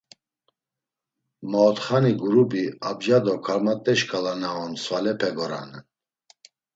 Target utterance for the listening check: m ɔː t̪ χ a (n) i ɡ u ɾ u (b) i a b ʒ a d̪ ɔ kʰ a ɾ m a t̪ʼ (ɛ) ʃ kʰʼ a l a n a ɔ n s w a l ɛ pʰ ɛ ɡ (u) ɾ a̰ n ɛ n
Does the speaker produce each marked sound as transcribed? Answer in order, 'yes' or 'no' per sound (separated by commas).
yes, yes, yes, no